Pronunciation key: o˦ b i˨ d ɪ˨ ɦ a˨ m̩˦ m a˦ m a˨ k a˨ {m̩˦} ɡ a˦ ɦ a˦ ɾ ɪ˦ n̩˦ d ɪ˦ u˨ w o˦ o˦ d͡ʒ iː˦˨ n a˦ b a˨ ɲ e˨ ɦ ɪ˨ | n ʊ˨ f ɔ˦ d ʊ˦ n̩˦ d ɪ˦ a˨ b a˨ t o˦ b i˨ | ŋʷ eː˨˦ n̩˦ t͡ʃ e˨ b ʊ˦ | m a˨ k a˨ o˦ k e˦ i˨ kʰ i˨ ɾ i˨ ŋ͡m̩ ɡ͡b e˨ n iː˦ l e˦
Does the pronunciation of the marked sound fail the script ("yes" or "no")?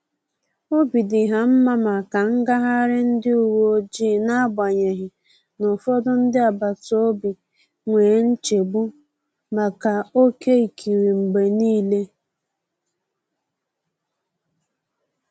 yes